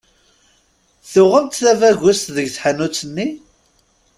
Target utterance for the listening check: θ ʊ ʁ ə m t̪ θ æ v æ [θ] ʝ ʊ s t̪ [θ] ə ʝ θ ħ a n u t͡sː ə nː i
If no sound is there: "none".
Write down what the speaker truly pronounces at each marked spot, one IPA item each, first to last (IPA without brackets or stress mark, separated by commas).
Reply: none, ð